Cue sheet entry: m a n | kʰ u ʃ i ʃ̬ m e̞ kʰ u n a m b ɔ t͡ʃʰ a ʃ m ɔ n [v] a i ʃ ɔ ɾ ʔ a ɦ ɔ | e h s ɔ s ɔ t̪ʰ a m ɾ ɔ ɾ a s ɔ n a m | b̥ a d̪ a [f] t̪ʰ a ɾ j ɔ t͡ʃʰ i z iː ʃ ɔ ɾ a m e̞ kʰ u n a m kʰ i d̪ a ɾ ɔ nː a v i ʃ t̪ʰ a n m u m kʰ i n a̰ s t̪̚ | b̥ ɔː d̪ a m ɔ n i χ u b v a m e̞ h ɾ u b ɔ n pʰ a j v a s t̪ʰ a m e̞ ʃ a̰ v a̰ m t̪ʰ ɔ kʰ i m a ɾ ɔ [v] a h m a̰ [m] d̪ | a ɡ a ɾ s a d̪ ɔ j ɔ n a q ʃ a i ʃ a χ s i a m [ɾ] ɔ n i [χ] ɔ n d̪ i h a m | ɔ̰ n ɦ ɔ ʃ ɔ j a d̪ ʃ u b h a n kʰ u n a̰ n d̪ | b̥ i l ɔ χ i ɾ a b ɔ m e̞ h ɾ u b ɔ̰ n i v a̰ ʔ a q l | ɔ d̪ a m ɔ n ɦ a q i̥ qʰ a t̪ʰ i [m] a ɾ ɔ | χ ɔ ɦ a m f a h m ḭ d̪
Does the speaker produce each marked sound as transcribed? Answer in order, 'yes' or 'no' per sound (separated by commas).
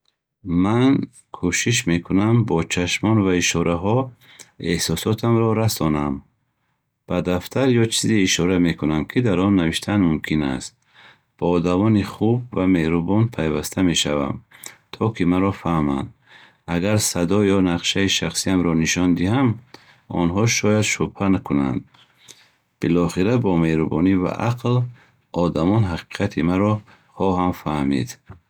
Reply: yes, yes, no, no, yes, no, yes